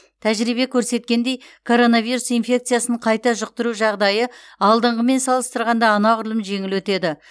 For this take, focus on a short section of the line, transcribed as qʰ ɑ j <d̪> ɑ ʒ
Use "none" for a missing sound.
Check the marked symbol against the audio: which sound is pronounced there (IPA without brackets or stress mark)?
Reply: t̪